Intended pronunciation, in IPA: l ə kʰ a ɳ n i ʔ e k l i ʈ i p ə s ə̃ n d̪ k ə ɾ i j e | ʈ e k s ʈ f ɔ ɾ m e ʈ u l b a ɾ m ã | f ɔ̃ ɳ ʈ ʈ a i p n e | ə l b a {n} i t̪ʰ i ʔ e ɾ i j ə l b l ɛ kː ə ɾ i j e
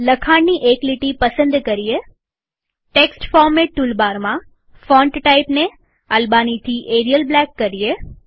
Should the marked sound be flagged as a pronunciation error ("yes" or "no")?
no